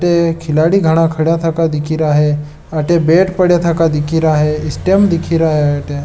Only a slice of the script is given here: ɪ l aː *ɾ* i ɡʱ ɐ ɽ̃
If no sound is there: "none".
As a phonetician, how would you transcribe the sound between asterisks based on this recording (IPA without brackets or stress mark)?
ɽ